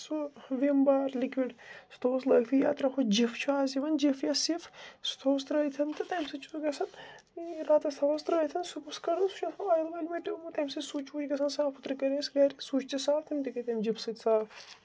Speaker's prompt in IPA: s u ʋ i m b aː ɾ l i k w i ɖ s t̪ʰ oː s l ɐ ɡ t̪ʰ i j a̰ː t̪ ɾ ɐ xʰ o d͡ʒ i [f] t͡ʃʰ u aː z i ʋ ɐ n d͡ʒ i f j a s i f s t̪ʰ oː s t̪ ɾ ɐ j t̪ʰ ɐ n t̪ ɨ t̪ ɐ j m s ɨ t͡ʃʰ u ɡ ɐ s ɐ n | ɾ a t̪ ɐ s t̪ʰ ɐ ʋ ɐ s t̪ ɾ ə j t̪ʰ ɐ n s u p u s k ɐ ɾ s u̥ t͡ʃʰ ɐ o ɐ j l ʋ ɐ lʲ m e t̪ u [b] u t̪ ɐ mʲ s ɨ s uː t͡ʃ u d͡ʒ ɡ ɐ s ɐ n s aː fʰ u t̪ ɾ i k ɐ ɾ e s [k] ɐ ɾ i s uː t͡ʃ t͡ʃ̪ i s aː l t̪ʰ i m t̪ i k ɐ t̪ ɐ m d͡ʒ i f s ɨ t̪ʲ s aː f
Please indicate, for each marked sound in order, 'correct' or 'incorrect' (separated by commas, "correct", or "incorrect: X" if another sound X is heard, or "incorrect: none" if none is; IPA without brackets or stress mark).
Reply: correct, incorrect: m, incorrect: ɡ